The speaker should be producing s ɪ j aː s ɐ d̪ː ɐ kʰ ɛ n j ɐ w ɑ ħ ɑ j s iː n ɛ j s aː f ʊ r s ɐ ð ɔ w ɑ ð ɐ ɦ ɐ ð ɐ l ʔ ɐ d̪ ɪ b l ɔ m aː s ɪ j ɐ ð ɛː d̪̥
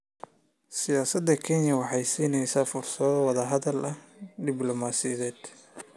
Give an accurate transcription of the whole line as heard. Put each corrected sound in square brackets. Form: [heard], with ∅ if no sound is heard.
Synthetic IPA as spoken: s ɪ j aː s ɐ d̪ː ɐ kʰ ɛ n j ɐ w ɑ ħ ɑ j s iː n ɛ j s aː f ʊ r s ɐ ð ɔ w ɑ ð ɐ ɦ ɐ ð ɐ l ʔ ɐ d̪ ɪ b l ɔ m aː s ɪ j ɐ ð ɛː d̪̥